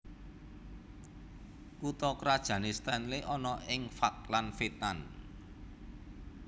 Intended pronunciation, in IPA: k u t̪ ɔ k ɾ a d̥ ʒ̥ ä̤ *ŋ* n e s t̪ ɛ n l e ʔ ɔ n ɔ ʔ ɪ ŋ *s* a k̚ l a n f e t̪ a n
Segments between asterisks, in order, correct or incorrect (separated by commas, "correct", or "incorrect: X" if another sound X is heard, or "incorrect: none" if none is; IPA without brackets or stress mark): incorrect: none, incorrect: f